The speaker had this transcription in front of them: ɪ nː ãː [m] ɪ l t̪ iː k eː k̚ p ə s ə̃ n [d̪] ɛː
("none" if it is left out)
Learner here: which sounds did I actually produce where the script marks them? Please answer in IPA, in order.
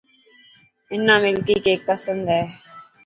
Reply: m, d̪

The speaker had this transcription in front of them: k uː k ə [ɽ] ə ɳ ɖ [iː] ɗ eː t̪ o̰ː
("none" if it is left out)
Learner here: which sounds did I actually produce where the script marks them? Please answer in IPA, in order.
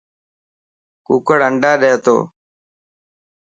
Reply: ɽ, aː

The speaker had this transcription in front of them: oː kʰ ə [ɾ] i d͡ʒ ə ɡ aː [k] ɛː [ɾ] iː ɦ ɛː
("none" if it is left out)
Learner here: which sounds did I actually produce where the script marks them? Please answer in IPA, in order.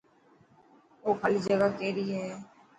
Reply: l, k, ɾ

